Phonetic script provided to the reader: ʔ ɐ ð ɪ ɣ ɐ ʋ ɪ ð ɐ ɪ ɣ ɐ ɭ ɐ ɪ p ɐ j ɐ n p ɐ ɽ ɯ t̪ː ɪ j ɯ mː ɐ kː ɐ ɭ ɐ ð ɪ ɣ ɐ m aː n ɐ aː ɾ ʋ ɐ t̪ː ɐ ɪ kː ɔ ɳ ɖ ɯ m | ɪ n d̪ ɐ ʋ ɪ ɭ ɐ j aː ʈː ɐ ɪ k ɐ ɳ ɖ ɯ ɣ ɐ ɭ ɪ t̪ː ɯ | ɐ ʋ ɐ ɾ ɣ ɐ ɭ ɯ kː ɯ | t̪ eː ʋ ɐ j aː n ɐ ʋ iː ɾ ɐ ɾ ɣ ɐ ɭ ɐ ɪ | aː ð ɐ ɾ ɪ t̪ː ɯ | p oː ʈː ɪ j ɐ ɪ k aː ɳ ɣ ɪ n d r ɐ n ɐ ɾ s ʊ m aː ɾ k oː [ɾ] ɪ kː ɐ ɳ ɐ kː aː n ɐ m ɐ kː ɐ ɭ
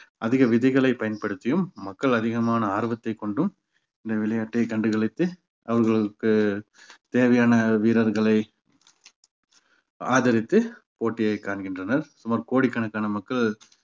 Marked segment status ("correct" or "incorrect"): incorrect